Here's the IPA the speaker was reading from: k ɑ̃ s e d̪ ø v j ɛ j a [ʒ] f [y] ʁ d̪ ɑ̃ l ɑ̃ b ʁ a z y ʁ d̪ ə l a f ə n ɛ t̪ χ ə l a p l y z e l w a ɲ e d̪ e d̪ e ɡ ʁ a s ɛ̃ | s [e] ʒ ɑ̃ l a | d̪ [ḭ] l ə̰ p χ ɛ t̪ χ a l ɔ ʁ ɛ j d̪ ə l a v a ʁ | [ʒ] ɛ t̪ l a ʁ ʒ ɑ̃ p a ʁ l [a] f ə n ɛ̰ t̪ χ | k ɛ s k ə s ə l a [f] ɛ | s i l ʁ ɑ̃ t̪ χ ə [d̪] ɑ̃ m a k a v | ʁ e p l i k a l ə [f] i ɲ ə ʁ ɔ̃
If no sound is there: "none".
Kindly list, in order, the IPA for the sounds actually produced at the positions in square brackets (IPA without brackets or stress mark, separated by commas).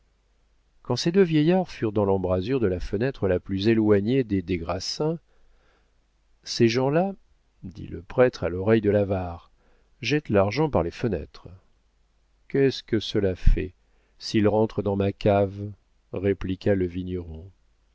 ʁ, y, e, ḭ, ʒ, e, f, d̪, v